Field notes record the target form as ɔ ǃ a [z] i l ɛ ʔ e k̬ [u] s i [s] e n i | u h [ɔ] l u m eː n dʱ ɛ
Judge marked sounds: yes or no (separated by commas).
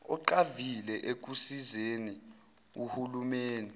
no, yes, no, no